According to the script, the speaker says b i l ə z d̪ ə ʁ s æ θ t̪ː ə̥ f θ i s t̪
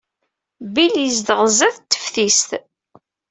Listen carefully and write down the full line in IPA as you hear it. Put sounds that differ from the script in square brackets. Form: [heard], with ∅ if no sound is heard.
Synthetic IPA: b i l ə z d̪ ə ʁ [z] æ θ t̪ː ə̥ f θ i s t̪